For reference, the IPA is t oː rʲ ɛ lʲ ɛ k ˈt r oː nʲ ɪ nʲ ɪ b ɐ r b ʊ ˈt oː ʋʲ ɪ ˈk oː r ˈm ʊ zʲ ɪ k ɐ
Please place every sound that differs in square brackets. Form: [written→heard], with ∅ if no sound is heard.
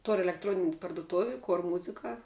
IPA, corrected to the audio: t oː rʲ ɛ lʲ ɛ k ˈt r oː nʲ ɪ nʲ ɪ [b→p] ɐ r [b→d] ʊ ˈt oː ʋʲ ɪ ˈk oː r ˈm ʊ zʲ ɪ k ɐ